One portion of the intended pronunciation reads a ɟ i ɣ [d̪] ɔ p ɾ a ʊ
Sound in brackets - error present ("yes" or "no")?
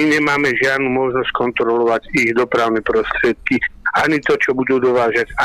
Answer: no